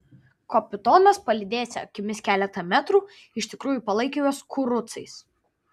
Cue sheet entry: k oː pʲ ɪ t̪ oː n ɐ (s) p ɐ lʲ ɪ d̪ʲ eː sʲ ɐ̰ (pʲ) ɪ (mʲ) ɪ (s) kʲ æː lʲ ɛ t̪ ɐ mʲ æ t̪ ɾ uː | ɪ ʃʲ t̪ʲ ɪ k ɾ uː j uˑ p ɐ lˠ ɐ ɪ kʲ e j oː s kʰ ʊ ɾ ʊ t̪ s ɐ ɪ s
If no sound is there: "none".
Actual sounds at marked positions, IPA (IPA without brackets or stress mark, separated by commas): s, kʲ, mʲ, s